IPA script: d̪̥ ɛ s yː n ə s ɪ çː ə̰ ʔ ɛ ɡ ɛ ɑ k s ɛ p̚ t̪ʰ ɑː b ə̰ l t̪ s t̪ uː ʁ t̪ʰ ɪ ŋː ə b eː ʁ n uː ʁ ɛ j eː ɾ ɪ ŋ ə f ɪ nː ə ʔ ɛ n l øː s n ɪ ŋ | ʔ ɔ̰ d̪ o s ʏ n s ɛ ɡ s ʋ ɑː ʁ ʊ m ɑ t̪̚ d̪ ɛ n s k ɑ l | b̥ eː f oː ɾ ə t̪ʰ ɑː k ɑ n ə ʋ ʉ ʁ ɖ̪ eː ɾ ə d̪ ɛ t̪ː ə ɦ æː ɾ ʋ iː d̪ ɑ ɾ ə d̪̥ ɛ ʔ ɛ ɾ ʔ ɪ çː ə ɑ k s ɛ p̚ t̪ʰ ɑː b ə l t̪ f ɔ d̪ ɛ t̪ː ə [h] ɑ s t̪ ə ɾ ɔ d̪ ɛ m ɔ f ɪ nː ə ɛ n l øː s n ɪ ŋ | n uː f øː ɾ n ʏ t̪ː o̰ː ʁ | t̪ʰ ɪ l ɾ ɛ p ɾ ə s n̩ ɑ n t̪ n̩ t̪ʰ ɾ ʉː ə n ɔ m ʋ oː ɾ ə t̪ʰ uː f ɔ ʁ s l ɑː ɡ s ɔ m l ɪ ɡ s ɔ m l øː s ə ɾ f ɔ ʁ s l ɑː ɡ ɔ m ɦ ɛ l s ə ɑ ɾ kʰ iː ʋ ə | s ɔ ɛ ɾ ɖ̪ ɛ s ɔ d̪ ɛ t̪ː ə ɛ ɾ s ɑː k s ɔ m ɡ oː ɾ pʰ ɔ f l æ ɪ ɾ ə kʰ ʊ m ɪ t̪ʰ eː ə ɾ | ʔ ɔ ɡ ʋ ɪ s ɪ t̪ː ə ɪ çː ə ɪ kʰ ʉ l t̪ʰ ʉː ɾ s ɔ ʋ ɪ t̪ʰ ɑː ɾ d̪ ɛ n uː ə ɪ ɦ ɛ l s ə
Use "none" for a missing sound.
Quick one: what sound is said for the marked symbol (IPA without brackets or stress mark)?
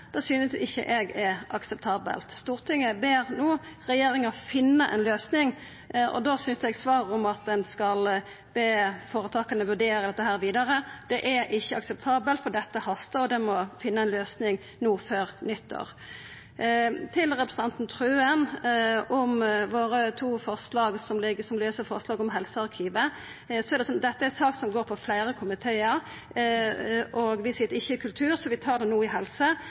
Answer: h